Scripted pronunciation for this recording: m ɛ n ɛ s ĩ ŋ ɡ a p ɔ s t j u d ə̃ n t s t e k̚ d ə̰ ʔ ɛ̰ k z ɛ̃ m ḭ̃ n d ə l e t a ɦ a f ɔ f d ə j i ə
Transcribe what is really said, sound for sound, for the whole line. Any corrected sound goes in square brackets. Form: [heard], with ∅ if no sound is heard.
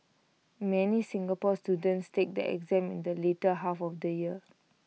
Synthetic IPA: m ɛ n [i] s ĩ ŋ ɡ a p ɔ s t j u d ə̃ n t s t e k̚ d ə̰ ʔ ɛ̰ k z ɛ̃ m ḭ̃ n d ə l e t [ə] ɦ a f ɔ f d ə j i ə